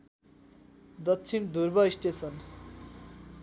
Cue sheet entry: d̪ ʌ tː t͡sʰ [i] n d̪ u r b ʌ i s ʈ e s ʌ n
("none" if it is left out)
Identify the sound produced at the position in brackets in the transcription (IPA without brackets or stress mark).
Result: i